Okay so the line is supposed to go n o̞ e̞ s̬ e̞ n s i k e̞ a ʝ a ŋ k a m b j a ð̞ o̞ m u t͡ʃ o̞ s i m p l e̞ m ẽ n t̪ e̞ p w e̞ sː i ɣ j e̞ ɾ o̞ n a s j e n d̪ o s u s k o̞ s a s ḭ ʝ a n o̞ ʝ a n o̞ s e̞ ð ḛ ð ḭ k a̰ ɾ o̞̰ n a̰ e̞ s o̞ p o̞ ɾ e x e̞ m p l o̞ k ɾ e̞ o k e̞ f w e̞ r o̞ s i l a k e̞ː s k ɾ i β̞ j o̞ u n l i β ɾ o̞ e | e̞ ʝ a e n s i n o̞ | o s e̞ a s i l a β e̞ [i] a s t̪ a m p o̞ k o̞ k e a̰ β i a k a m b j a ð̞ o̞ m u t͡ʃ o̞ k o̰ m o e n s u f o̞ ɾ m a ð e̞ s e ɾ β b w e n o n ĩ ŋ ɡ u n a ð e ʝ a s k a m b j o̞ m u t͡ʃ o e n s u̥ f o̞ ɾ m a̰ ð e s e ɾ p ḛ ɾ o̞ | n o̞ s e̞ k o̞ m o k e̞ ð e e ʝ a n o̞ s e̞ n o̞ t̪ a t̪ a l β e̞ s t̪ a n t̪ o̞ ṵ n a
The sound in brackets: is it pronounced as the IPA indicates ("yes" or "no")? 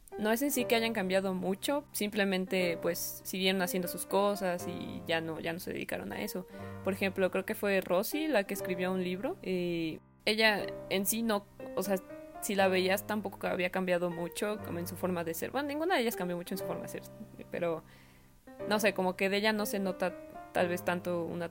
yes